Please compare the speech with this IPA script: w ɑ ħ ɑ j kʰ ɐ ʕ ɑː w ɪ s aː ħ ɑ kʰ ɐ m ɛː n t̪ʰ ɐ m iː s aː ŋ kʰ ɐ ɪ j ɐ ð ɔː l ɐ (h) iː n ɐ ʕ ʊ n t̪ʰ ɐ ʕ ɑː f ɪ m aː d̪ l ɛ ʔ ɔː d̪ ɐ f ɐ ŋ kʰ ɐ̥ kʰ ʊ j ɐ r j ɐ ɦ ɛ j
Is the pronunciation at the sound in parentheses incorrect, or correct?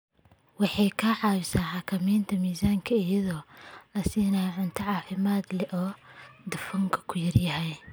incorrect: s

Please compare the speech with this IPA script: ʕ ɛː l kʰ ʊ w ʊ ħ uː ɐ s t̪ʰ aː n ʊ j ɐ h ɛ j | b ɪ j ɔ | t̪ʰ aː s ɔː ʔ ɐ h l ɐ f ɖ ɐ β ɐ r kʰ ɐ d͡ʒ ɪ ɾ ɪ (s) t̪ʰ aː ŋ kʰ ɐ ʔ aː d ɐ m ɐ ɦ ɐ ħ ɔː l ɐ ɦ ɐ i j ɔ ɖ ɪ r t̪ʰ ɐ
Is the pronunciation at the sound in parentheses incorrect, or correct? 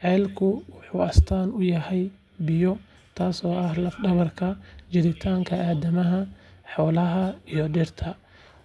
incorrect: none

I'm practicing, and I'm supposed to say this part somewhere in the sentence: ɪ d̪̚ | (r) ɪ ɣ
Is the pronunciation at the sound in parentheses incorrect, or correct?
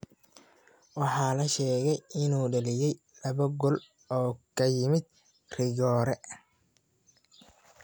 correct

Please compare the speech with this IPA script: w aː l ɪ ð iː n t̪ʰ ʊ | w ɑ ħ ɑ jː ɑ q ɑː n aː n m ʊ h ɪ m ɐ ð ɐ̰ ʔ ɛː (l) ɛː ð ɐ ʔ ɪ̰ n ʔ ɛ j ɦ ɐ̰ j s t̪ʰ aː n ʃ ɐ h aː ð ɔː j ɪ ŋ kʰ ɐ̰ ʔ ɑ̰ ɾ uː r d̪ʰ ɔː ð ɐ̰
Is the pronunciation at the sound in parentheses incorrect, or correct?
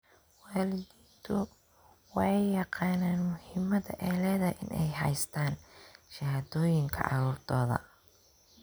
correct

